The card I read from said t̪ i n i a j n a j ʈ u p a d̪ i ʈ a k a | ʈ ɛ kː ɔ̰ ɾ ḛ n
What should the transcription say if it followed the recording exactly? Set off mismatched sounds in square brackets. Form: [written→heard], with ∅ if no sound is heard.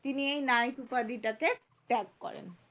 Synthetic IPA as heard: t̪ i n i [a→e] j n a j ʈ u p a d̪ i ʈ a k [a→e] | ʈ ɛ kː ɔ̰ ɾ ḛ n